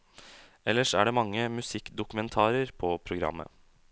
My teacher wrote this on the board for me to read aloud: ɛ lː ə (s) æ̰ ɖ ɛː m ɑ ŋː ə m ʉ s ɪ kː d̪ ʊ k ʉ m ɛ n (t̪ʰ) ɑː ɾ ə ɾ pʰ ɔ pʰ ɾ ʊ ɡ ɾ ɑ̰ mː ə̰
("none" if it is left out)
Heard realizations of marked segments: ʂ, t̪ʰ

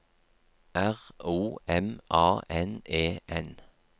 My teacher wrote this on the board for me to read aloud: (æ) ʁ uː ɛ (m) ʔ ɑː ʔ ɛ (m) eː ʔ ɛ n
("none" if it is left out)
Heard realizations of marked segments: æ, m, n

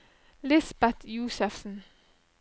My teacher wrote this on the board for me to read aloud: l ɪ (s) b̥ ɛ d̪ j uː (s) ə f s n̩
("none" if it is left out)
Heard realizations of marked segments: s, s

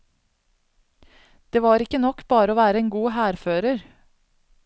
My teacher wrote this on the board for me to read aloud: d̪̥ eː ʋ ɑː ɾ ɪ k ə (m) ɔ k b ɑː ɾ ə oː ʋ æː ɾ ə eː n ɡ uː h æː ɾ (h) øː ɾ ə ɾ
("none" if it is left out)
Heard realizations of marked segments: n, f

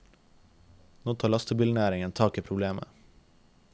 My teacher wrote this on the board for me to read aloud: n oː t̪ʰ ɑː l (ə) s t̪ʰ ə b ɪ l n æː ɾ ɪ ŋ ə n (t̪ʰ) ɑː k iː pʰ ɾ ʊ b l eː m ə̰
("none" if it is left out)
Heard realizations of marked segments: ɑ, t̪ʰ

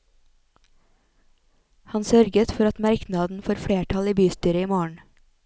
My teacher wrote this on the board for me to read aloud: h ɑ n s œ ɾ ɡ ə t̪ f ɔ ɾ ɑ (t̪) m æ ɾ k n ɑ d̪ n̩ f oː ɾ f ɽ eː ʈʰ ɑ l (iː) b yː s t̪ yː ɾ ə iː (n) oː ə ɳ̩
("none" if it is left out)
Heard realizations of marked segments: t̪, iː, m

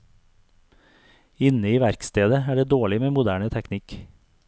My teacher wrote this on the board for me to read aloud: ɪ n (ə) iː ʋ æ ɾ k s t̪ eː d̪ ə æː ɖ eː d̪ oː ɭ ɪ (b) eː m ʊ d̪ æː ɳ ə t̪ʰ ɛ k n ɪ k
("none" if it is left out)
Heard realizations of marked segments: ə, m

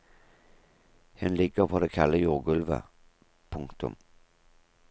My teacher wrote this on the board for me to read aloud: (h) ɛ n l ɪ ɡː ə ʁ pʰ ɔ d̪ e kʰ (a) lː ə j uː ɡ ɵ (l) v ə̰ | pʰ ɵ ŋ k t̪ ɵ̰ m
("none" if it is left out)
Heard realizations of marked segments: h, a, l

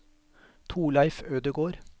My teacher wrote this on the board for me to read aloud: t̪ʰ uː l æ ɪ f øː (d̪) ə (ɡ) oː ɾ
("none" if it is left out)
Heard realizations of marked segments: d̪, ɡ

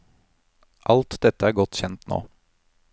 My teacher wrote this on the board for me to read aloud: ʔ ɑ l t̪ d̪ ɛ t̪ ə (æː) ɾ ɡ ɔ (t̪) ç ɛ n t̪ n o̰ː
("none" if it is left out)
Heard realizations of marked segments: æː, t̪

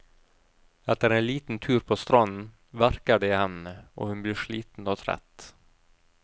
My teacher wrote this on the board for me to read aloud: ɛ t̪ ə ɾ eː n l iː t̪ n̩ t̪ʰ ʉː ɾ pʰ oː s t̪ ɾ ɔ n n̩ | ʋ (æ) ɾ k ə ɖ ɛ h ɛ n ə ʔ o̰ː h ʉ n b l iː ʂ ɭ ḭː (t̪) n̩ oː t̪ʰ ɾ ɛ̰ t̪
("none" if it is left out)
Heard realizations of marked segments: æ, t̪

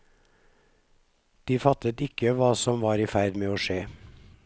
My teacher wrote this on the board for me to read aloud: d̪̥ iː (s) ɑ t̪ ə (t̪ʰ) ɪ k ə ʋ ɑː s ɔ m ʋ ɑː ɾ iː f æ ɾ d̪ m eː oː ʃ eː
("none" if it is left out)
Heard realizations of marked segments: f, t̪

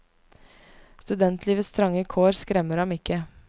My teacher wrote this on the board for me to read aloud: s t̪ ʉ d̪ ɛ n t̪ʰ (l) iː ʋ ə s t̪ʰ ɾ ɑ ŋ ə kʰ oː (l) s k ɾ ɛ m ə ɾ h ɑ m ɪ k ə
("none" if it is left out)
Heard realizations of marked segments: l, ɾ

